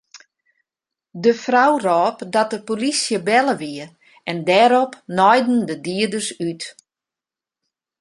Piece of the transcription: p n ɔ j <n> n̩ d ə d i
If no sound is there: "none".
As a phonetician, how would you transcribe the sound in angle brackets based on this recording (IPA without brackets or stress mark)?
d